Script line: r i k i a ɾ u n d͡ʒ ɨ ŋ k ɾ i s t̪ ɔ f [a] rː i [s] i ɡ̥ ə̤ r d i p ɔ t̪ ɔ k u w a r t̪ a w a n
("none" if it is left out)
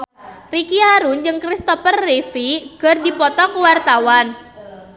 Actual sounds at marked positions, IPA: ə, f

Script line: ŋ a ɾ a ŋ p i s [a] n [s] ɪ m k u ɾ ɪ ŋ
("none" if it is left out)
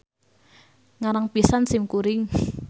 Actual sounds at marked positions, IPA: a, s

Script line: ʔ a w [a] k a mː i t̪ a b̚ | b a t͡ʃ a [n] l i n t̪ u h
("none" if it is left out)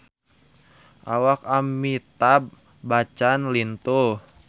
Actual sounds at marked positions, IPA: a, n

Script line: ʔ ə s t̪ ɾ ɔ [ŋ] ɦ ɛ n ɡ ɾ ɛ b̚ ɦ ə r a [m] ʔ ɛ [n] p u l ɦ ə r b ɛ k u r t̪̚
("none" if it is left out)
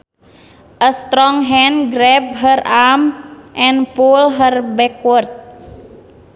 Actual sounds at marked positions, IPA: ŋ, m, n

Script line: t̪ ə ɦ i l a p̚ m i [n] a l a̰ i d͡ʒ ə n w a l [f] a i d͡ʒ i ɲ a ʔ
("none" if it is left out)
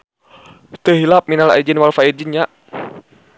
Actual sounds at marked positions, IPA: n, f

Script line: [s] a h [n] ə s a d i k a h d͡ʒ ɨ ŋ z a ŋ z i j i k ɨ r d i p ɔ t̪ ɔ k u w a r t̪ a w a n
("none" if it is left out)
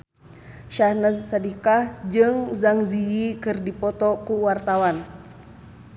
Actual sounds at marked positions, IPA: ʃ, n

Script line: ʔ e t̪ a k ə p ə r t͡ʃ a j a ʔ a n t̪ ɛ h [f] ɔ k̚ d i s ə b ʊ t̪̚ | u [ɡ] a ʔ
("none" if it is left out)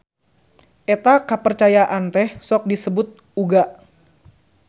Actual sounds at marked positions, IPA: s, ɡ

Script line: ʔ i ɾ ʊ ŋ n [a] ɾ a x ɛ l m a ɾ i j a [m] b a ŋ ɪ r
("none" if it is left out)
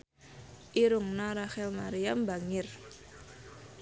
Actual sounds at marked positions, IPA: a, m

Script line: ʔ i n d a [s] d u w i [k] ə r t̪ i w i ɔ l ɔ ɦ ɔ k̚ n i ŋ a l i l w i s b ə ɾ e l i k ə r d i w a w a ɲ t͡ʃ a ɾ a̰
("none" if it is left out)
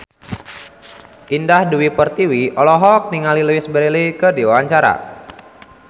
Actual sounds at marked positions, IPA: h, p

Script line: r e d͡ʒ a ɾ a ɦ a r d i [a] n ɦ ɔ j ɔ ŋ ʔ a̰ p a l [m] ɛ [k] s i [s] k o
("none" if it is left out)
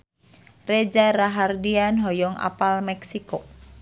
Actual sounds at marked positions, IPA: a, m, k, none

